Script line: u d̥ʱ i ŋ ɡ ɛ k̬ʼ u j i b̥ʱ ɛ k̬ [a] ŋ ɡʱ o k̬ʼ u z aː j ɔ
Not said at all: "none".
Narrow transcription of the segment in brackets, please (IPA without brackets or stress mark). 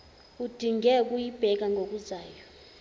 a